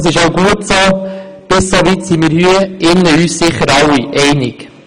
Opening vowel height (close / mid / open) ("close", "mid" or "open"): close